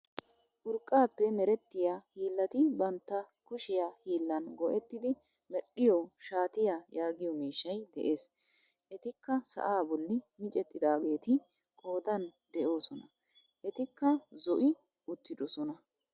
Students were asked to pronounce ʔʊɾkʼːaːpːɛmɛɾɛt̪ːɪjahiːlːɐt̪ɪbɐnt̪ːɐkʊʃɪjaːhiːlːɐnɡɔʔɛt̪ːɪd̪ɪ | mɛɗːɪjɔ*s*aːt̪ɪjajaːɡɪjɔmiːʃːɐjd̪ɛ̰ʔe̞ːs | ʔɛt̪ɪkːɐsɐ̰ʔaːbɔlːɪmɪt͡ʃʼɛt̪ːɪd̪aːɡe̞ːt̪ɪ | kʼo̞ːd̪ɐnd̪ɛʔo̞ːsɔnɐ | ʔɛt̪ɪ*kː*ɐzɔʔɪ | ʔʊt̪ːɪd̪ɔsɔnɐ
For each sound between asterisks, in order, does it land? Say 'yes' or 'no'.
no, yes

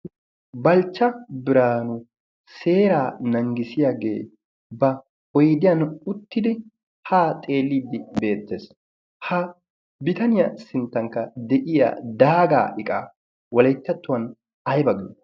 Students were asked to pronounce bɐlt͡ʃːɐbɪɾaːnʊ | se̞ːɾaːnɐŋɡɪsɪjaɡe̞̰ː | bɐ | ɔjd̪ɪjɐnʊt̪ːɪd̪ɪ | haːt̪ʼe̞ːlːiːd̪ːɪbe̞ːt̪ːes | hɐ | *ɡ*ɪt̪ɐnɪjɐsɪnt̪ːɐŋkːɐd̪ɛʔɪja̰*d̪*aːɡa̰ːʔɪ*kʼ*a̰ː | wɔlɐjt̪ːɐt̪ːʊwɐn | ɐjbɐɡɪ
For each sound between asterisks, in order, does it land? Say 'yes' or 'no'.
no, yes, yes

